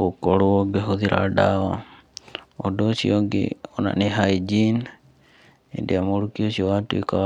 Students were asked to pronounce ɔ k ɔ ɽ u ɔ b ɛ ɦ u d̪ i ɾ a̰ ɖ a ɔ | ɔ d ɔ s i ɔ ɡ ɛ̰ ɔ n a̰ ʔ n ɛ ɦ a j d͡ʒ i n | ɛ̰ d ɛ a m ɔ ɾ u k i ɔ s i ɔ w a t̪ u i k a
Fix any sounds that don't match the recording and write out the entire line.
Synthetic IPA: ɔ k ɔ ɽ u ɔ ɡ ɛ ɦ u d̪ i ɾ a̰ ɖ a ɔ | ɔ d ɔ s i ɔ ɡ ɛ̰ ɔ n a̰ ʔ n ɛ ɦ a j d͡ʒ i n | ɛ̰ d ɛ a m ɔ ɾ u k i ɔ s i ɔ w a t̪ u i k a

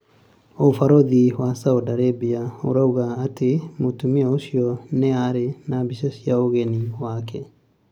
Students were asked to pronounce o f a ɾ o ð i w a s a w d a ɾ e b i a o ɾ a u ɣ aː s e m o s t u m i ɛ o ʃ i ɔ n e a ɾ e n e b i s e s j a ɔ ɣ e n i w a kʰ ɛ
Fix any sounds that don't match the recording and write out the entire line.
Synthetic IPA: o f a ɾ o ð i w a s a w d a ɾ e b i a o ɾ a u ɣ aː t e m o t u m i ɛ o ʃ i ɔ n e a ɾ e n a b i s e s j a o ɣ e n i w a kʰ ɛ

